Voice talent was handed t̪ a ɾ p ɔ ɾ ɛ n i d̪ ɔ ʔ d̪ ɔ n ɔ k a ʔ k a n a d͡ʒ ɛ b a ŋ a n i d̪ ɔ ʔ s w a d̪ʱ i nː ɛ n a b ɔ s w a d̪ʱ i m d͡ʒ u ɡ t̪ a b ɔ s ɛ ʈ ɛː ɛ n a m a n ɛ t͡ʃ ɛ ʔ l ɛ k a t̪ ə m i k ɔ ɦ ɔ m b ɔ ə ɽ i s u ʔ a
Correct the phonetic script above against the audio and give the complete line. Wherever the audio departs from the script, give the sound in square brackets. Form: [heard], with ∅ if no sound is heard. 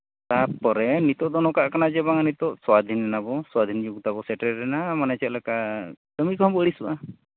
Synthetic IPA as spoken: t̪ a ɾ p ɔ ɾ ɛ n i [t̪] ɔ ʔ d̪ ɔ n ɔ k a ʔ k a n a d͡ʒ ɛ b a ŋ a n i [t̪] ɔ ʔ s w a d̪ʱ i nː ɛ n a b ɔ s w a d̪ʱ i [n] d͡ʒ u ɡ t̪ a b ɔ s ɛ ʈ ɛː ɛ n a m a n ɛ t͡ʃ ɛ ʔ l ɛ k a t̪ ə m i k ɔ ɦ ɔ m b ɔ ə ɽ i s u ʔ a